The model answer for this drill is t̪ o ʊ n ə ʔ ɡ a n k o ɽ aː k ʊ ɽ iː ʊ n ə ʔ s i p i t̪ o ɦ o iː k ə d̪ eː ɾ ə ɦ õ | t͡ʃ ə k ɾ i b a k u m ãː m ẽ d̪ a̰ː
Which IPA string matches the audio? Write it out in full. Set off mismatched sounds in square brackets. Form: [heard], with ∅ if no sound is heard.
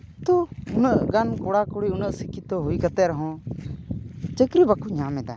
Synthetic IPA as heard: t̪ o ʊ n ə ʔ ɡ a n k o ɽ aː k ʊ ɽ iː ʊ n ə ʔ s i [k] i t̪ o ɦ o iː k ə [t̪] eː ɾ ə ɦ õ | t͡ʃ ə k ɾ i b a k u [ɲ] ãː m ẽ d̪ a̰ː